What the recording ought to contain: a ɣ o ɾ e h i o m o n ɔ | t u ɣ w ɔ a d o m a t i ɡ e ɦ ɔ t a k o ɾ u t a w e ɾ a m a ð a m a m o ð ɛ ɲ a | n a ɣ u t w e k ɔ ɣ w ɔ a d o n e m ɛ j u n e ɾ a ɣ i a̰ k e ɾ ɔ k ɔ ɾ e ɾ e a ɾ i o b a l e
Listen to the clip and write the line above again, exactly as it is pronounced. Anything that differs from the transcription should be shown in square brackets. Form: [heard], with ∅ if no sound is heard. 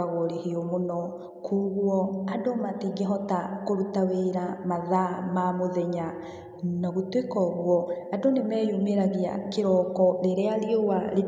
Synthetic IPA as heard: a ɣ o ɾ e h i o m o n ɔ | [k] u ɣ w ɔ a d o m a t i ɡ e ɦ ɔ t a k o ɾ u t a w e ɾ a m a ð a m a m o ð ɛ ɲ a | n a ɣ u t w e k ɔ ɣ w ɔ a d o n e m ɛ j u [m] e ɾ a ɣ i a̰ k e ɾ ɔ k ɔ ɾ e ɾ e a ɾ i o [w] a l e